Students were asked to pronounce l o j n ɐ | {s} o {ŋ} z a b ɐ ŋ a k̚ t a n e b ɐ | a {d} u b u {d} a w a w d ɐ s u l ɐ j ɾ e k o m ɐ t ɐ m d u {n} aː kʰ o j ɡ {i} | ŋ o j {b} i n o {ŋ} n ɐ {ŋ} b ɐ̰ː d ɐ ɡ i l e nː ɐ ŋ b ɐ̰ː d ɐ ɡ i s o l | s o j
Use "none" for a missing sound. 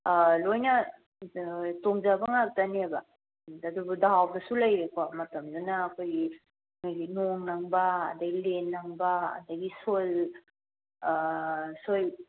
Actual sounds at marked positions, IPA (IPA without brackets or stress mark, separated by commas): t, ŋ, d, d, n, i, ɡ, ŋ, ŋ